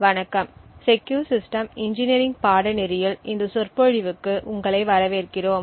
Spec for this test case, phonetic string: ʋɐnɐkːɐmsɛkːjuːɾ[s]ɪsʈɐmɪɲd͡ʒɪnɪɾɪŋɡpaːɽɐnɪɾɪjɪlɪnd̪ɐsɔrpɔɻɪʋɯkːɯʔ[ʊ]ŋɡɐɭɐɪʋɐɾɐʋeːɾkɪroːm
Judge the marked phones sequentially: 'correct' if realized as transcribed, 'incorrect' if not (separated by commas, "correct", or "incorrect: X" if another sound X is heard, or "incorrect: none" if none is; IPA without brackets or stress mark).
correct, correct